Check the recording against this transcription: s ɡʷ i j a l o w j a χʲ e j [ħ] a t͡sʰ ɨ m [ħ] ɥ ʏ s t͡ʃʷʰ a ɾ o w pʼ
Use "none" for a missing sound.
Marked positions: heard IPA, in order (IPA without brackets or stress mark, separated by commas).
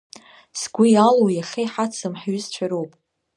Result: ħ, ħ